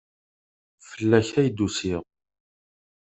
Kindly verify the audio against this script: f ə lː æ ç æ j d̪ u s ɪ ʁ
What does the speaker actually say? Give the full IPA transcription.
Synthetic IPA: f ə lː æ ç æ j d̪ u s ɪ ʁ